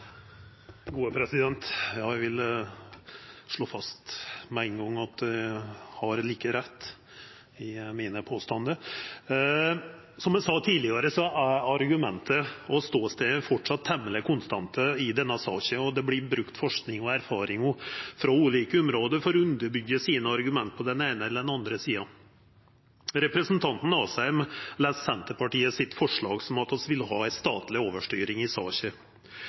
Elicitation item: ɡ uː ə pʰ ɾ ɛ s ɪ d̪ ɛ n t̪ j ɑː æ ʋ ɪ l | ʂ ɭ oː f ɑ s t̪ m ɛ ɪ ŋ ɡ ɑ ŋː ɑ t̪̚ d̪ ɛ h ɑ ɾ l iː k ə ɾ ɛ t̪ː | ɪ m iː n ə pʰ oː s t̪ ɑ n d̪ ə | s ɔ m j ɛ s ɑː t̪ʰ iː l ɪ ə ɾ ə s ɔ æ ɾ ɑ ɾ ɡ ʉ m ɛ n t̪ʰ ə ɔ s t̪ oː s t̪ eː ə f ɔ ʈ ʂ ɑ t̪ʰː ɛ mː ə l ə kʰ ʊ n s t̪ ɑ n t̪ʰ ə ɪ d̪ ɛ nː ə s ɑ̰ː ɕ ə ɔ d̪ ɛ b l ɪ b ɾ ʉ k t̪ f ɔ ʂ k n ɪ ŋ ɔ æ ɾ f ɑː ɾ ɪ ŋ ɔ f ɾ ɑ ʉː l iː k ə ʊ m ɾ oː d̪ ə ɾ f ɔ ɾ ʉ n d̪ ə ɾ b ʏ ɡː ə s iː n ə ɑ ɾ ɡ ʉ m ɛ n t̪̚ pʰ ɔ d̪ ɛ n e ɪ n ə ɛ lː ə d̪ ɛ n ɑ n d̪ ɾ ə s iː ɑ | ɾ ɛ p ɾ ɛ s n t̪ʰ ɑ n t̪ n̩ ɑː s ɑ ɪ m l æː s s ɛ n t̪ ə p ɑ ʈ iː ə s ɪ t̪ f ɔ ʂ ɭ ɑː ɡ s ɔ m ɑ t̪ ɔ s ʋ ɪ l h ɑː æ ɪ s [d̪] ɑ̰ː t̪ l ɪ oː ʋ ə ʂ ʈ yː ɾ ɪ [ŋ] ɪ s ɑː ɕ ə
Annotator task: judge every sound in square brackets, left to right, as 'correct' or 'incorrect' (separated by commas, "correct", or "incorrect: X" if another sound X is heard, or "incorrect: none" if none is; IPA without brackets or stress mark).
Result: incorrect: t̪, correct